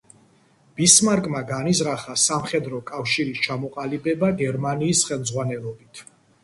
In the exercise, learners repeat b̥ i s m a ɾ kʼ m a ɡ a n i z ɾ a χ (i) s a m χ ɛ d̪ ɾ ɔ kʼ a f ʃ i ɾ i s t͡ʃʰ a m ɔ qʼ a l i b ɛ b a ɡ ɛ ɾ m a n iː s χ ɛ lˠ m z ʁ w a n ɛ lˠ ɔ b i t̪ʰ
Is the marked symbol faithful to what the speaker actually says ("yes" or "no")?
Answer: no